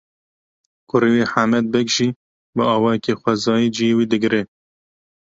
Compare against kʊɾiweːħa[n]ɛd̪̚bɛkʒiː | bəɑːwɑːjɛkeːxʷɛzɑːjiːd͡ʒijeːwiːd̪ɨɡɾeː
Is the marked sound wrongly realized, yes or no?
yes